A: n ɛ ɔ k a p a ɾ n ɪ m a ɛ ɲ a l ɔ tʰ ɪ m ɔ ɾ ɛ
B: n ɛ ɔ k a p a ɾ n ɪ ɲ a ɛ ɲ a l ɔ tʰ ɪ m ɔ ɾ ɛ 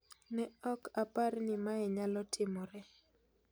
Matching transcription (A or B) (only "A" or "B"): A